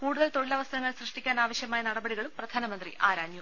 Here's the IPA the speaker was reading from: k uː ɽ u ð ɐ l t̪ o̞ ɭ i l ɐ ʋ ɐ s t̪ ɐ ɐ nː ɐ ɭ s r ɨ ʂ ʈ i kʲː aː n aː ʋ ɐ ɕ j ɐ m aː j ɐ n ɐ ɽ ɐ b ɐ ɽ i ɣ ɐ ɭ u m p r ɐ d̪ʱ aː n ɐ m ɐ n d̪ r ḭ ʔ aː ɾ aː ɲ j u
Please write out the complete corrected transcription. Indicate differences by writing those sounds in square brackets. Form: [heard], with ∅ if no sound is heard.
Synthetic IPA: k uː ɽ u ð ɐ l t̪ o̞ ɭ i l ɐ ʋ ɐ s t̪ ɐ ɐ [ŋː] ɐ ɭ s r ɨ ʂ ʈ i kʲː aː n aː ʋ ɐ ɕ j ɐ m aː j ɐ n ɐ ɽ ɐ b ɐ ɽ i ɣ ɐ ɭ u m p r ɐ d̪ʱ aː n ɐ m ɐ n d̪ r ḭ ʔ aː ɾ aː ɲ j u